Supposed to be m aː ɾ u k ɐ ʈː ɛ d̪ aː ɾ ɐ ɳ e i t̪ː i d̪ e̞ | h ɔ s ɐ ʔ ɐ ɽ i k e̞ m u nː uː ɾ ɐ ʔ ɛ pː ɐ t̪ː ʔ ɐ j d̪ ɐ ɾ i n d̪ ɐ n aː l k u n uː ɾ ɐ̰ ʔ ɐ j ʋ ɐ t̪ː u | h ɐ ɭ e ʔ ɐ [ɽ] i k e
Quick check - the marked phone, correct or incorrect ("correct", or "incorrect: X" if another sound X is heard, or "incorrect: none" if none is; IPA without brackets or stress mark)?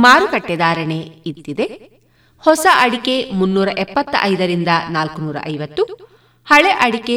correct